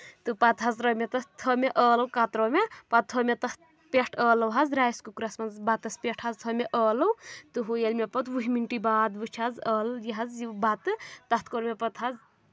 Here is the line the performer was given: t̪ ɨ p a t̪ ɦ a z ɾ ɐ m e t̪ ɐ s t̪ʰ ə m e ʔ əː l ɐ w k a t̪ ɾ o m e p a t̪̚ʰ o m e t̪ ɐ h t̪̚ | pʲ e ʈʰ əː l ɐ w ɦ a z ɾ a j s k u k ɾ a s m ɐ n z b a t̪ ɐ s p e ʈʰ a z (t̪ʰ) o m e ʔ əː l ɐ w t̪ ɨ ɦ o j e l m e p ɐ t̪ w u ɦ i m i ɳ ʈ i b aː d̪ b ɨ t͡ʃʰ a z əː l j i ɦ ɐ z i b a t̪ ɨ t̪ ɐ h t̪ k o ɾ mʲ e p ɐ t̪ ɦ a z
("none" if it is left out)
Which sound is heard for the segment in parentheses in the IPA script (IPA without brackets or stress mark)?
t̪ʰ